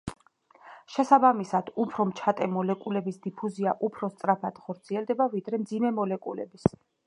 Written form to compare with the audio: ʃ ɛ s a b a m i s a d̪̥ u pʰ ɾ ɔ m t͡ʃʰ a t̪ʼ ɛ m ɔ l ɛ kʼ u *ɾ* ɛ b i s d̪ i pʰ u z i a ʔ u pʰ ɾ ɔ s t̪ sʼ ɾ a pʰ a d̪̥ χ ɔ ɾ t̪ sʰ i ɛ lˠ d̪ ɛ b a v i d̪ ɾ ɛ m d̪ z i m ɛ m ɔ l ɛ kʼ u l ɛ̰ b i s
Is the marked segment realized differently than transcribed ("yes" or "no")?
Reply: yes